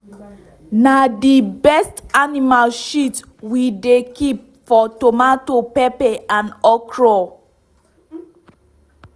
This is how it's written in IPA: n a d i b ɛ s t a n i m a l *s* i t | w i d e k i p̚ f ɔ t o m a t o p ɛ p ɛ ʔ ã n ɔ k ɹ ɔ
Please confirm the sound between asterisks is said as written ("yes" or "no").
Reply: no